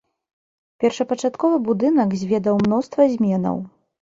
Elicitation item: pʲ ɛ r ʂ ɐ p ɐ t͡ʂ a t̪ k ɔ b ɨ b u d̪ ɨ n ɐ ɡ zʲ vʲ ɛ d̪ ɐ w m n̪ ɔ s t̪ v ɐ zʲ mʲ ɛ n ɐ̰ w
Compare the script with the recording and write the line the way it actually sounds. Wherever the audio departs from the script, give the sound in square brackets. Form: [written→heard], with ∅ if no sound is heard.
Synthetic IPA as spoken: pʲ ɛ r ʂ ɐ p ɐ t͡ʂ a t̪ k ɔ [b→v] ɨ b u d̪ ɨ n ɐ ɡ zʲ vʲ ɛ d̪ ɐ w m n̪ ɔ s t̪ v ɐ zʲ mʲ ɛ n ɐ̰ w